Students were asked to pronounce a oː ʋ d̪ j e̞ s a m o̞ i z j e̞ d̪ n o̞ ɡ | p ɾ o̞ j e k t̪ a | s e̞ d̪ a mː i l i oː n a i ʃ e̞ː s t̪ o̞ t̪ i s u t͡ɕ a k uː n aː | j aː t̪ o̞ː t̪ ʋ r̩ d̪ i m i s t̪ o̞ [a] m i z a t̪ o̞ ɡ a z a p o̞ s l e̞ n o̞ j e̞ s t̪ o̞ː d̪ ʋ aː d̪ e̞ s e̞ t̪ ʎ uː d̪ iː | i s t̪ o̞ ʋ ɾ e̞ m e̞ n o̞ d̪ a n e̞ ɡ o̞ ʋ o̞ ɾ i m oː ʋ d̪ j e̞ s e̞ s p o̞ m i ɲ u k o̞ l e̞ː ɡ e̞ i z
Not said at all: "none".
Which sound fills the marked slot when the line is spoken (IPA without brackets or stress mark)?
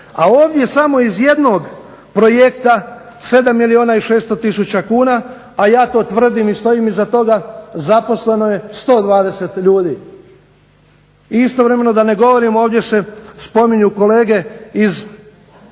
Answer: i